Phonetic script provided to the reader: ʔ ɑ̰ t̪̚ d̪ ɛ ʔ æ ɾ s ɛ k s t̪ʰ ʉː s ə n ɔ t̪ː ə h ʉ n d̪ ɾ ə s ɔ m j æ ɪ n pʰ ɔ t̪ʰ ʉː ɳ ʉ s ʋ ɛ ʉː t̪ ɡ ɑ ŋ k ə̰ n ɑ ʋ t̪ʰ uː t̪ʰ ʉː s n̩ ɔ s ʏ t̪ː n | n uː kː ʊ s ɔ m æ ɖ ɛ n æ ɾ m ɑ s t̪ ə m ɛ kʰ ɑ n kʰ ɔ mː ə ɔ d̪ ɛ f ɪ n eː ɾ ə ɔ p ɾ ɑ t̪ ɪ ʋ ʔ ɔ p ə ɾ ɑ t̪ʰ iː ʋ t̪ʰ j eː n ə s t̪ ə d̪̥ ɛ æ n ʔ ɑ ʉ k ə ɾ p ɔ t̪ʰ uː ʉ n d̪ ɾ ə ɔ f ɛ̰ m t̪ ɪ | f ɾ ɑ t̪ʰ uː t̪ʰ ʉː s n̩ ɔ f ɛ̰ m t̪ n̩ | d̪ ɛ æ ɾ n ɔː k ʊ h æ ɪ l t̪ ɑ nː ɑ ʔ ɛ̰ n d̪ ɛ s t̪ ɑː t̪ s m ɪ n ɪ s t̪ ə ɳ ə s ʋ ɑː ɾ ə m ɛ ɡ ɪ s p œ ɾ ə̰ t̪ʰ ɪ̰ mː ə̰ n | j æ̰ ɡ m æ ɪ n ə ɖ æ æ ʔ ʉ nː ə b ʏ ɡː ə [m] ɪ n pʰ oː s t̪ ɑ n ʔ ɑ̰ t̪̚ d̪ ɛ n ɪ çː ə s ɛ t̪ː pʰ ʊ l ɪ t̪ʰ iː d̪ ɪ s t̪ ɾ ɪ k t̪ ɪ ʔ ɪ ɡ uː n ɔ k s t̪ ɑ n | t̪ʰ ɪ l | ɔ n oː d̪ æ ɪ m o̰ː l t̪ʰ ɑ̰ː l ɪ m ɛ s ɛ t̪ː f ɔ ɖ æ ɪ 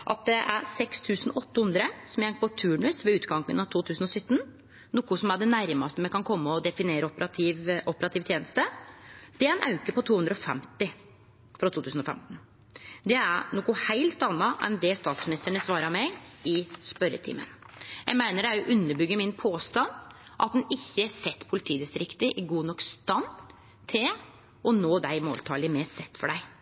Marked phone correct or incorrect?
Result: correct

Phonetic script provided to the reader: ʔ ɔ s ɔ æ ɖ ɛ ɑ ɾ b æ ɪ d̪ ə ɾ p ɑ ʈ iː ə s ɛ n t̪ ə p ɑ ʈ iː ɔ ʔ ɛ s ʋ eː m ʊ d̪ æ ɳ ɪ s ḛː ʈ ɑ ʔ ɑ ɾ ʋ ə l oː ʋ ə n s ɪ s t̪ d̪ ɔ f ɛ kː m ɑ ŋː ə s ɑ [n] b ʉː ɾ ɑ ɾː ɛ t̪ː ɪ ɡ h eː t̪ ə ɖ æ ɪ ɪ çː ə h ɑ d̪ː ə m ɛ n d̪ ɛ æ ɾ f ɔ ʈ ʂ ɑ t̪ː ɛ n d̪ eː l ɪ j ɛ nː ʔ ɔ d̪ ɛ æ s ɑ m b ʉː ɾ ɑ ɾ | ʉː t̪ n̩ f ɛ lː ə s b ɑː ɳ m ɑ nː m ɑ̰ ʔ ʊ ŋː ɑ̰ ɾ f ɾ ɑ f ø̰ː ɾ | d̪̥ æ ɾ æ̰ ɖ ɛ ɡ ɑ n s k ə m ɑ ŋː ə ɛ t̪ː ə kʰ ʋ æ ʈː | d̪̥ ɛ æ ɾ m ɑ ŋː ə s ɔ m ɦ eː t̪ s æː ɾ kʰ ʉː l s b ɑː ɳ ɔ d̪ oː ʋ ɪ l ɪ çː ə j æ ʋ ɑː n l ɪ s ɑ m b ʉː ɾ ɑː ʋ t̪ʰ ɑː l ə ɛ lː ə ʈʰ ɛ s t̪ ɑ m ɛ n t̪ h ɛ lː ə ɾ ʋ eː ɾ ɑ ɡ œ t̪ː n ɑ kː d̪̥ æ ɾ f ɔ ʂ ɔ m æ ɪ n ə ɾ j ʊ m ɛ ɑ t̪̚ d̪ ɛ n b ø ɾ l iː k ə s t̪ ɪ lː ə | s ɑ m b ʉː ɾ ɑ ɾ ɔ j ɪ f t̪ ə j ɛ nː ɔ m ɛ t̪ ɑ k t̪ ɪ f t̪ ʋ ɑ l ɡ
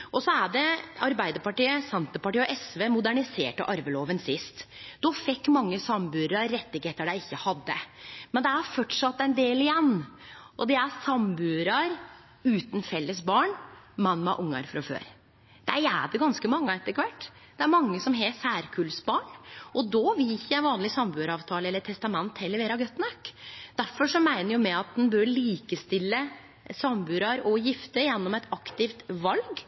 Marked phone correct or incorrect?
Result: incorrect: m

